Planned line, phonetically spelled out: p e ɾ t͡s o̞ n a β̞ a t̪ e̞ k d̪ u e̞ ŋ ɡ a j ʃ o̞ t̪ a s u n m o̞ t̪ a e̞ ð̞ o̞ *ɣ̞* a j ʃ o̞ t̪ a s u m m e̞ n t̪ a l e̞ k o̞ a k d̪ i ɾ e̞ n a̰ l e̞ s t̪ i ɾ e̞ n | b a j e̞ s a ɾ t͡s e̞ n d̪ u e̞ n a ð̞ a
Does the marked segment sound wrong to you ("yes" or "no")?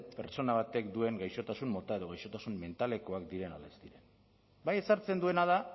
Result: no